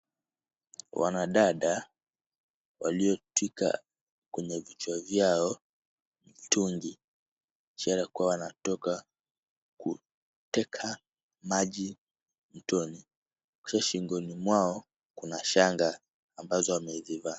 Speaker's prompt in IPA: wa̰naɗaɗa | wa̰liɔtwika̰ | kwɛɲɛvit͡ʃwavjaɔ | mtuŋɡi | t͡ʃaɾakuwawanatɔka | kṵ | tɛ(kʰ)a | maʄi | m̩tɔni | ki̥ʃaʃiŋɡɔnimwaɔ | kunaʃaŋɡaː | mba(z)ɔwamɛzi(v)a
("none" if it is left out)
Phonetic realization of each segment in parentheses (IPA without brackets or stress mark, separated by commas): kʰ, z, v